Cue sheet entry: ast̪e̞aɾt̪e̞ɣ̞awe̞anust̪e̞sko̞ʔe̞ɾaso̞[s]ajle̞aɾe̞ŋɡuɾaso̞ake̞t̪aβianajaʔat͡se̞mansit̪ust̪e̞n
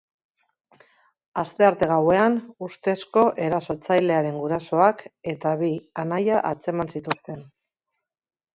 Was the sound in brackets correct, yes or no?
no